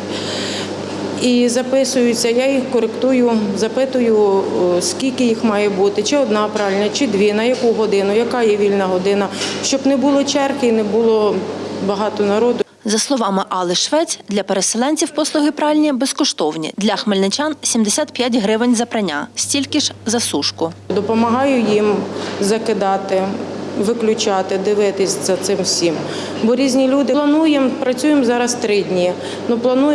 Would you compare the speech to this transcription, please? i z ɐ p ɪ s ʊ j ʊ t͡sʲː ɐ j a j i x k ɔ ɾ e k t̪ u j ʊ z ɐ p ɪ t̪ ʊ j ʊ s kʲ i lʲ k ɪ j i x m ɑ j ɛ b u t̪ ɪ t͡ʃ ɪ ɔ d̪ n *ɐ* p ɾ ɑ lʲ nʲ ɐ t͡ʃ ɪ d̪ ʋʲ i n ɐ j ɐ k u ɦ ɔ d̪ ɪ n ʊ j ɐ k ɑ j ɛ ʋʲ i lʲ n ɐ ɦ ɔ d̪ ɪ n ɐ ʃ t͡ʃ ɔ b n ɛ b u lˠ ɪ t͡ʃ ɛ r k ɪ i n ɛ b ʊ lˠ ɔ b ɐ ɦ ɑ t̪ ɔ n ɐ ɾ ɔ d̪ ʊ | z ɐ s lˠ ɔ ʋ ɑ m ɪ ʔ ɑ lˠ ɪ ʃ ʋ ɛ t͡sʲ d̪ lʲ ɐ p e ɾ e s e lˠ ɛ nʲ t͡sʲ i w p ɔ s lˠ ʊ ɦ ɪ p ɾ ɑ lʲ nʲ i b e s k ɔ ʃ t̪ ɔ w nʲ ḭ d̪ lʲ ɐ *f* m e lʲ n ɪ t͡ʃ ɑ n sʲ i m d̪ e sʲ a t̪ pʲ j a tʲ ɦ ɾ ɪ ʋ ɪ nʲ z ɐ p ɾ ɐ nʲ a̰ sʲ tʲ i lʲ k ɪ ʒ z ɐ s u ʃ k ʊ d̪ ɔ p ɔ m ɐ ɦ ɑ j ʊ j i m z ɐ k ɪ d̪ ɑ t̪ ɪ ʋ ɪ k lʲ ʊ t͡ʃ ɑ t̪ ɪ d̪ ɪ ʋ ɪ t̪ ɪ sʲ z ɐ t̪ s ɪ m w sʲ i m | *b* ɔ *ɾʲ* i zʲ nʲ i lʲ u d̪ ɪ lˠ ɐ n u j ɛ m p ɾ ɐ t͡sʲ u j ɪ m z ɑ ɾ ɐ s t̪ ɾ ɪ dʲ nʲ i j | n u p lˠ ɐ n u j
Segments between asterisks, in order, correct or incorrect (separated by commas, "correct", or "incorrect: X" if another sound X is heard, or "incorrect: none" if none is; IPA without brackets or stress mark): incorrect: ɑ, incorrect: x, correct, correct